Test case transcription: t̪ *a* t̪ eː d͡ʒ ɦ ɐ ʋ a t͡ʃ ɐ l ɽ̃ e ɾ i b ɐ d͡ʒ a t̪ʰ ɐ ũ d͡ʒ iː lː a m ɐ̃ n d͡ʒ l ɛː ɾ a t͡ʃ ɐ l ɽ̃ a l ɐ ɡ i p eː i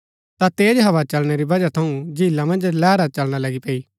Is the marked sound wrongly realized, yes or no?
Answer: no